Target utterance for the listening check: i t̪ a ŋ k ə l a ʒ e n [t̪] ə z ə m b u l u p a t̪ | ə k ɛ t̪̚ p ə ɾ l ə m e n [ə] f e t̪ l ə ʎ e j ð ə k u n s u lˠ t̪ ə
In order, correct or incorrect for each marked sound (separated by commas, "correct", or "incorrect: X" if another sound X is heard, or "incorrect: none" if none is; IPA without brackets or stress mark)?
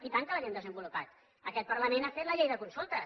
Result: incorrect: d̪, incorrect: a